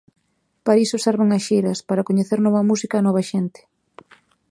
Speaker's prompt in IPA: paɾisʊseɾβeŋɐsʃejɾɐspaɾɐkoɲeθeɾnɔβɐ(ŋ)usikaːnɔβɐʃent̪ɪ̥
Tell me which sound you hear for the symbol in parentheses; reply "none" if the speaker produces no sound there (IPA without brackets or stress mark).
m